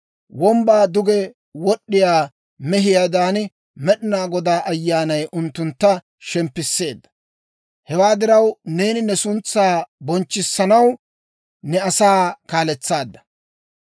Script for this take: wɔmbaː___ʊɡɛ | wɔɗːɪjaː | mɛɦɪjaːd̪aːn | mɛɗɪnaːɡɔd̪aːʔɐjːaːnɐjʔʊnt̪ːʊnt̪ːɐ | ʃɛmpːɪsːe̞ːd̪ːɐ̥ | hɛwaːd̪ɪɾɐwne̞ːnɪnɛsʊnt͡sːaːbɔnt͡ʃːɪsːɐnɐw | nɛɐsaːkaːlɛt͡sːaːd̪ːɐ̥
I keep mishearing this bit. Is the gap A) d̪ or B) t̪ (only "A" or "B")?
A